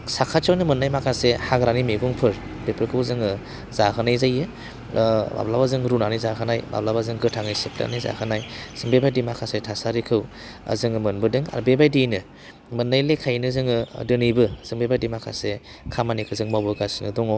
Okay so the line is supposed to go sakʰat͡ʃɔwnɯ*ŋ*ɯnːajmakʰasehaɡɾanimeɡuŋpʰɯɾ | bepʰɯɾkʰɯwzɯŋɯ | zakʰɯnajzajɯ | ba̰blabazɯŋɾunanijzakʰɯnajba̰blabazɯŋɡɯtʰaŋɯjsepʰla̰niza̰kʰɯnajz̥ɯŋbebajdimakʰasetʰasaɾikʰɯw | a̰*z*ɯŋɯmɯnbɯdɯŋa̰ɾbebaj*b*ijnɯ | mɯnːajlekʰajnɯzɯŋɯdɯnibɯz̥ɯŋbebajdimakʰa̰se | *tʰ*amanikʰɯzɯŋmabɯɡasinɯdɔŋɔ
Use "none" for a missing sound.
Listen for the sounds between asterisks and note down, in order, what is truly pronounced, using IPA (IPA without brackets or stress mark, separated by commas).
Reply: m, z, d, kʰ